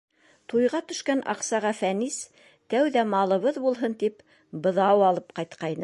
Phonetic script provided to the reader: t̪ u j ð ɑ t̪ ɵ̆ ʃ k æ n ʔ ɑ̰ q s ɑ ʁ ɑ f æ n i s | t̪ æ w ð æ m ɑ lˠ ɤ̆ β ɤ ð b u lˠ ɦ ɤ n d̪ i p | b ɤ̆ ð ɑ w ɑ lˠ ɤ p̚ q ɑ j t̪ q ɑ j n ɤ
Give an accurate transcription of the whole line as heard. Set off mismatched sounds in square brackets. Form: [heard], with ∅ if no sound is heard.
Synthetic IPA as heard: t̪ u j [ʁ] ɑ t̪ ɵ̆ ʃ k æ n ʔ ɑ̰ q s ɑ ʁ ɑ f æ n i s | t̪ æ w ð æ m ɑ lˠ ɤ̆ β ɤ ð b u lˠ ɦ ɤ n [t̪] i p | b ɤ̆ ð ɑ w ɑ lˠ ɤ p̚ q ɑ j t̪ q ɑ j n ɤ